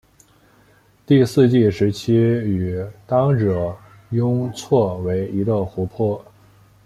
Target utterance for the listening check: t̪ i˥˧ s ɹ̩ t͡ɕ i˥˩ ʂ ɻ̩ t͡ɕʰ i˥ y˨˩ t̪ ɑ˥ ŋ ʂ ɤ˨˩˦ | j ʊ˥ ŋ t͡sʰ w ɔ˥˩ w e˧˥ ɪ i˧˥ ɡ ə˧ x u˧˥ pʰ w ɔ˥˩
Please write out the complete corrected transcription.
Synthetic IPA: t̪ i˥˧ s ɹ̩ t͡ɕ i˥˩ ʂ ɻ̩ t͡ɕʰ i˥ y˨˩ t̪ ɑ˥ ŋ ʈ͡ʂ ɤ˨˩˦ | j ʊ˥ ŋ t͡sʰ w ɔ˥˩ w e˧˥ ɪ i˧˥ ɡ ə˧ x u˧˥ pʰ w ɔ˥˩